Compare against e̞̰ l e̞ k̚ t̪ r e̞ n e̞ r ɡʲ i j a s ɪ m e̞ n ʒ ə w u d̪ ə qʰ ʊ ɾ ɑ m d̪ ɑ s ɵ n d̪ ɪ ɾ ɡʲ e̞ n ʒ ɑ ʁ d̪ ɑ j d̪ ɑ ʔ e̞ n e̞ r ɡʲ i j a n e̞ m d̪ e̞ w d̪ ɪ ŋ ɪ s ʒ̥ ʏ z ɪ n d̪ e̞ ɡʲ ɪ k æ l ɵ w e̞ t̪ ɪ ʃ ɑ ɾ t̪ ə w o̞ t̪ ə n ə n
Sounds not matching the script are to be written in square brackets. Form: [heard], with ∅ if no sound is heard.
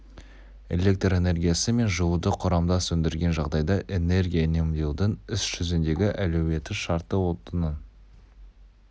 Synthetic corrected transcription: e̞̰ l e̞ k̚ t̪ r e̞ n e̞ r ɡʲ i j a s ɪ m e̞ n ʒ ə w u d̪ ə qʰ ʊ ɾ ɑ m d̪ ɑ s ɵ n d̪ ɪ ɾ ɡʲ e̞ n ʒ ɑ ʁ d̪ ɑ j d̪ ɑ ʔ e̞ n e̞ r ɡʲ i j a n e̞ m d̪ e̞ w d̪ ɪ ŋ ɪ s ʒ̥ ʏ z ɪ n d̪ e̞ ɡʲ ɪ [ʔ] æ l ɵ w e̞ t̪ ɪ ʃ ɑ ɾ t̪ ə w o̞ t̪ ə n ə n